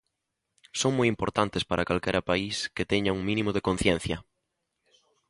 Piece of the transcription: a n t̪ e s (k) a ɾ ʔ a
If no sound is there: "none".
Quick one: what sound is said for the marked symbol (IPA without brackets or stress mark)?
p